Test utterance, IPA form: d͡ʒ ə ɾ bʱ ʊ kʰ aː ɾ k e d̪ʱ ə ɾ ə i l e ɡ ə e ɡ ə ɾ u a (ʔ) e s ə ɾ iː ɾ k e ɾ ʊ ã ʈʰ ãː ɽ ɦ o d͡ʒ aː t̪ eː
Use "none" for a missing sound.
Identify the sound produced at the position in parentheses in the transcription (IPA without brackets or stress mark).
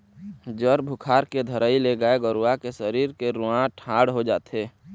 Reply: k